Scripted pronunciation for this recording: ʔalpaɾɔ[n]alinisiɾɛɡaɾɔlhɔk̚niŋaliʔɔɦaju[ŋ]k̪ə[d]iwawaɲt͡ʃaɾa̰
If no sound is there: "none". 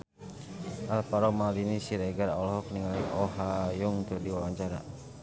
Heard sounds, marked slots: m, ŋ, d

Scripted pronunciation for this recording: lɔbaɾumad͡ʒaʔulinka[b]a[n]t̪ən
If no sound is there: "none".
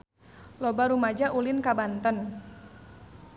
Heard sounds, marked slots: b, n

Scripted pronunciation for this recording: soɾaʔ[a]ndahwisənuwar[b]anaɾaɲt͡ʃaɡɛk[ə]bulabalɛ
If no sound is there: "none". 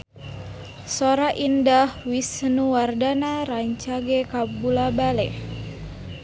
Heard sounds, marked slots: i, d, a

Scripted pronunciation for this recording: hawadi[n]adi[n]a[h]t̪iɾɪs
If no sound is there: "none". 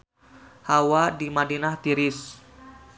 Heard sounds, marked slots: m, n, h

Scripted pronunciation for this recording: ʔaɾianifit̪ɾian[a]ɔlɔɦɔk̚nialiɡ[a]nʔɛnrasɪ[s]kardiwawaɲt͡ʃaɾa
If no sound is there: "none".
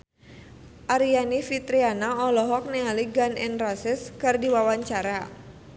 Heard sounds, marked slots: a, a, s

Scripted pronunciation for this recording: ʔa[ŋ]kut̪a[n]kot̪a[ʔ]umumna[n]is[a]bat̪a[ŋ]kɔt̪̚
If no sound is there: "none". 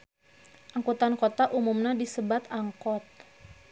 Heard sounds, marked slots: ŋ, n, ʔ, d, ə, ŋ

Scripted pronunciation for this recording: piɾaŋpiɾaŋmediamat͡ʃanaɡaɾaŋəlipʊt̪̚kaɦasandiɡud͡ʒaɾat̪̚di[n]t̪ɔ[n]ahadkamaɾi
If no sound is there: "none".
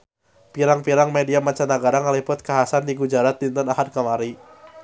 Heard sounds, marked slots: n, n

